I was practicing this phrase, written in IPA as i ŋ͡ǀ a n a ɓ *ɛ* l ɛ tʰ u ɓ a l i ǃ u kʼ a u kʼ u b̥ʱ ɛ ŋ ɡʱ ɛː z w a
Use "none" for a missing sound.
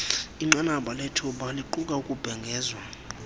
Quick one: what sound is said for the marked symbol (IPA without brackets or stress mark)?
a